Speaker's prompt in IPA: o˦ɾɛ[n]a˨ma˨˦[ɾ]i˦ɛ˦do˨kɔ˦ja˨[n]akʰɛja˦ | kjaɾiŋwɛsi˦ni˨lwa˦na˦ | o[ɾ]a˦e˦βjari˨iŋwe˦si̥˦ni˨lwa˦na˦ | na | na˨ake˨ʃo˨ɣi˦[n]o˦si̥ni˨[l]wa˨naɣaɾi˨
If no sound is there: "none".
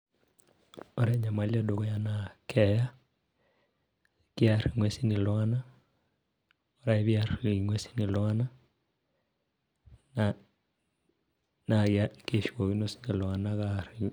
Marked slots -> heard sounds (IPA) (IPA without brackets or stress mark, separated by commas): ɲ, l, n, ɾ, n, l